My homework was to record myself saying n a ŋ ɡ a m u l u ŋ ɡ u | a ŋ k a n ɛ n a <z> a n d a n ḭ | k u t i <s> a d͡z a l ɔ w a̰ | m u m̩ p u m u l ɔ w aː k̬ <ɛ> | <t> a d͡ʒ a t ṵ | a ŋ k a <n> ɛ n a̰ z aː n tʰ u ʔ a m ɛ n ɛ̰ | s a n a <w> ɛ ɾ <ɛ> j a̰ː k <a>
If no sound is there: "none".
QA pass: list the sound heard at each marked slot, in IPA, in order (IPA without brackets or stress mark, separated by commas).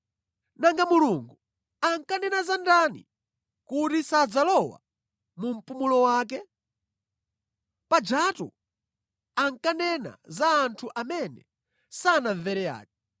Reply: z, s, ɛ, p, n, v, ɛ, ɛ